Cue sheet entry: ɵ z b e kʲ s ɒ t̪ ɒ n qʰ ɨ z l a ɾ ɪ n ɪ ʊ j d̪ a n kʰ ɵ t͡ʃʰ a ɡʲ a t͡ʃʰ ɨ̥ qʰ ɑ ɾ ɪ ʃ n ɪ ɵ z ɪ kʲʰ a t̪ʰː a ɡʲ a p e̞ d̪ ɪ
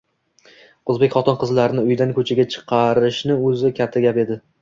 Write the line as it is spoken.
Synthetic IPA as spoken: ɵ z b e kʲ χ ɒ t̪ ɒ n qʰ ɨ z l a ɾ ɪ n ɪ ʊ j d̪ a n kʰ ɵ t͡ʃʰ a ɡʲ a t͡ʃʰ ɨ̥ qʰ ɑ ɾ ɪ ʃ n ɪ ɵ z ɪ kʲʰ a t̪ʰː a ɡʲ a p e̞ d̪ ɪ

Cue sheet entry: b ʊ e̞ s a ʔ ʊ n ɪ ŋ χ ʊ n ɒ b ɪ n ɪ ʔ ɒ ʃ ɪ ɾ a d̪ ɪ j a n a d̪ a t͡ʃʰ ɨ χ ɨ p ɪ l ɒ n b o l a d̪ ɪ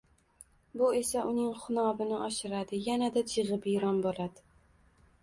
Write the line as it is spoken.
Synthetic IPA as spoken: b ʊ e̞ s a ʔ ʊ n ɪ ŋ χ ʊ n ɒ b ɪ n ɪ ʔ ɒ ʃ ɪ ɾ a d̪ ɪ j a n a d̪ a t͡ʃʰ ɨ ʁ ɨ p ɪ ɾ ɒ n b o l a d̪ ɪ

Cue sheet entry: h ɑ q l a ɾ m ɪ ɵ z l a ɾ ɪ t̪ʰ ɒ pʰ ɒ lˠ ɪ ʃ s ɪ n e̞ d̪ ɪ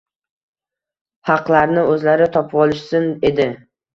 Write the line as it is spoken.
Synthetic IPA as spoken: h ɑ q l a ɾ n ɪ ɵ z l a ɾ ɪ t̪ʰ ɒ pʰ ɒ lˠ ɪ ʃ s ɪ n e̞ d̪ ɪ

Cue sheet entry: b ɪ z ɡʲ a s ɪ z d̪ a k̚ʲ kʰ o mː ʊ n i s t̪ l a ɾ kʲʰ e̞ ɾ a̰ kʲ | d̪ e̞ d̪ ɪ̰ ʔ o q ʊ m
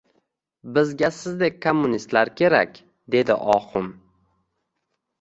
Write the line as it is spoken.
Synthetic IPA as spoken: b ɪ z ɡʲ a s ɪ z d̪ e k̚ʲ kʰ o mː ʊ n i s t̪ l a ɾ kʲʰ e̞ ɾ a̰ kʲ | d̪ e̞ d̪ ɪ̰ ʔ ɒ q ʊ m

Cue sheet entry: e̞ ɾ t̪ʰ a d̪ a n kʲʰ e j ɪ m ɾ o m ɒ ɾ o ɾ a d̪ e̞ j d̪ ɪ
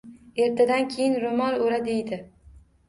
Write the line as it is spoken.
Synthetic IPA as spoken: e̞ ɾ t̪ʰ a d̪ a n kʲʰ e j ɪ n ɾ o m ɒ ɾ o ɾ a d̪ e̞ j d̪ ɪ

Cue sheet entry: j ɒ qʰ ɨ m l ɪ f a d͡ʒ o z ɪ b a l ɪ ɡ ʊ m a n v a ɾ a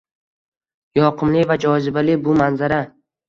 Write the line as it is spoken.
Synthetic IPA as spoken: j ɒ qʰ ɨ m l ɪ v a d͡ʒ ɒ z ɪ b a l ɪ b ʊ m a n z a ɾ a

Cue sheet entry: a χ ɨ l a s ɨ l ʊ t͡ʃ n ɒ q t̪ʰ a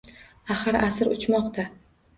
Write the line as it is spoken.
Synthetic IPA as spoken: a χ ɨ ɾ a s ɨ ɾ ʊ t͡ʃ m ɒ q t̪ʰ a

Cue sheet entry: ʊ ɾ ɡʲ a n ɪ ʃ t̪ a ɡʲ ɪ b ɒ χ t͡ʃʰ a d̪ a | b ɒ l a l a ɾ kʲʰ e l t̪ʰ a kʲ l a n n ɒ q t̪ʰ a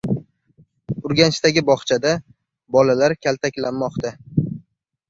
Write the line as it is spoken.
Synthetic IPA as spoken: ʊ ɾ ɡʲ a n ɪ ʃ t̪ a ɡʲ ɪ b ɒ χ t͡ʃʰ a d̪ a | b ɒ l a l a ɾ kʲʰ a l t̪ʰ a kʲ l a n m ɒ q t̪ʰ a

